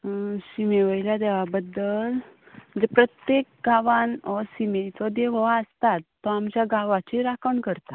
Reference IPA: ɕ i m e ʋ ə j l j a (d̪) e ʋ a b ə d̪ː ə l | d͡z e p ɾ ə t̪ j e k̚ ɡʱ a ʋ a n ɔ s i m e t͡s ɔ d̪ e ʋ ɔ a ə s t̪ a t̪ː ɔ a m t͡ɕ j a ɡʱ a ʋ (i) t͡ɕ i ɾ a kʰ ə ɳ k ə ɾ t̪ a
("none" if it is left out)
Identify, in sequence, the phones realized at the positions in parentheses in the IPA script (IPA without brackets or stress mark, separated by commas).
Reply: d̪, a